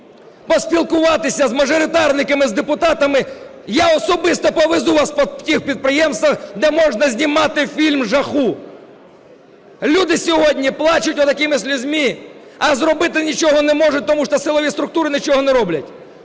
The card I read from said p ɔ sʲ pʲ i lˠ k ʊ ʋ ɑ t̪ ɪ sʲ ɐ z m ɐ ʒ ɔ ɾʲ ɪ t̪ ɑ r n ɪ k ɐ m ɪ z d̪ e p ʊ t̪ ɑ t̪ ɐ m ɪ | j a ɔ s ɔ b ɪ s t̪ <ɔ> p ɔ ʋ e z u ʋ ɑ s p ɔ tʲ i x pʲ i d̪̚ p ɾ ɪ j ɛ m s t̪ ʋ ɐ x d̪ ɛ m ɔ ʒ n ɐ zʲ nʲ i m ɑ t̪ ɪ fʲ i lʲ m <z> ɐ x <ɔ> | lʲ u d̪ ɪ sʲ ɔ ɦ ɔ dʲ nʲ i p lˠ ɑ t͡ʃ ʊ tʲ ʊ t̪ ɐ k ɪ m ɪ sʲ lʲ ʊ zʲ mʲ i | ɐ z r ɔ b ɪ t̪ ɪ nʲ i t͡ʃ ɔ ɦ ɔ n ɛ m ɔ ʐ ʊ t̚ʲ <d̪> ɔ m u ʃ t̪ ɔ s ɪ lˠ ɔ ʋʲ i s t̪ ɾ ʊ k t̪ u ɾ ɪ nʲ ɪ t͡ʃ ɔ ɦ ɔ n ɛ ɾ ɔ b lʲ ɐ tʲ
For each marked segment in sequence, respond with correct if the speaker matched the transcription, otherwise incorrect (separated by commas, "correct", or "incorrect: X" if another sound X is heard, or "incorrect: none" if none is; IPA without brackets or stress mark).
correct, incorrect: ʒ, incorrect: u, incorrect: t̪